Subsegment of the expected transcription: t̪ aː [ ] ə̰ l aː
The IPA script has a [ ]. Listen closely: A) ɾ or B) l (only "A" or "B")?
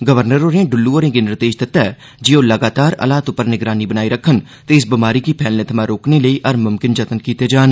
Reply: A